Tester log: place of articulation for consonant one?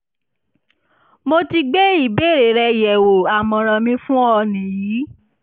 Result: labial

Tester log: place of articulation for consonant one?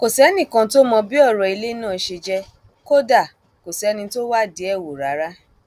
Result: velar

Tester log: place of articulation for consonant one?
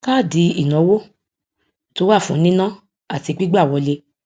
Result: velar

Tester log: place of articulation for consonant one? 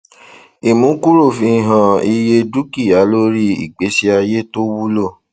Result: labial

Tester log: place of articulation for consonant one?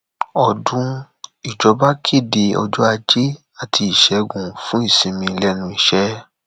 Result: alveolar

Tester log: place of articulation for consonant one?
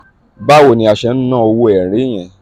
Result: labial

